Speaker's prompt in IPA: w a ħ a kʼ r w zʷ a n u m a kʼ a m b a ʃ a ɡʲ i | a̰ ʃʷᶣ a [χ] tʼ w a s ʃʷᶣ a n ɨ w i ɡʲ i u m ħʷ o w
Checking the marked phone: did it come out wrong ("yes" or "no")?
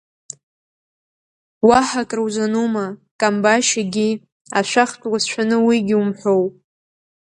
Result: no